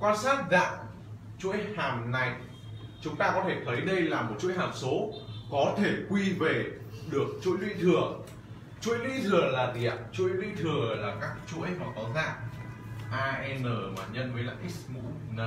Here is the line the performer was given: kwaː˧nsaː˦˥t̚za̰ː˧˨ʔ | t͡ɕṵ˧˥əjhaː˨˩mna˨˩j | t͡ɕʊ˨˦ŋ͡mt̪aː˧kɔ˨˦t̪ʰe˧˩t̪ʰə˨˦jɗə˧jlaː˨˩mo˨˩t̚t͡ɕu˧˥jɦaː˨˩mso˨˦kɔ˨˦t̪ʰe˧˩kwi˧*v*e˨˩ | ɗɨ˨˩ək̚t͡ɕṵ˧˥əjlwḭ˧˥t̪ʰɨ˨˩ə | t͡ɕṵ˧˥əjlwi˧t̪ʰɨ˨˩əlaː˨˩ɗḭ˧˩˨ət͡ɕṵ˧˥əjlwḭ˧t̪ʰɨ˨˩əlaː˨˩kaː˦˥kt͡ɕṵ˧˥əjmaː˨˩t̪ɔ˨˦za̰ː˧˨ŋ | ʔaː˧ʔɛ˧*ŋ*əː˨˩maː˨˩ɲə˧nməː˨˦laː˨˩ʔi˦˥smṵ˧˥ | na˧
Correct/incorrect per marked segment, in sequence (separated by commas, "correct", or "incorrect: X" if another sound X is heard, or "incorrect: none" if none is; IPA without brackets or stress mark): correct, incorrect: n